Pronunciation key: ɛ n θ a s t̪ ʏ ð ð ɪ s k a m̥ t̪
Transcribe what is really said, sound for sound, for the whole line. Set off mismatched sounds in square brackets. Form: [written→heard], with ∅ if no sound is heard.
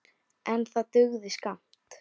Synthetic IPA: ɛ n θ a [s→∅] t̪ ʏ [ð→ɣ] ð ɪ s k a m̥ t̪